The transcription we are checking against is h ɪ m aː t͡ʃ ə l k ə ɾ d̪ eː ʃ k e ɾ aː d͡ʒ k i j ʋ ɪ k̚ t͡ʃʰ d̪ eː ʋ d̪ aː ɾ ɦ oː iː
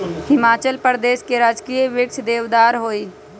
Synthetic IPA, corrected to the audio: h ɪ m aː t͡ʃ ə l p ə ɾ d̪ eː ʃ k e ɾ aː d͡ʒ k i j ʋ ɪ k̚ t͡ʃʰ d̪ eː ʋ d̪ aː ɾ ɦ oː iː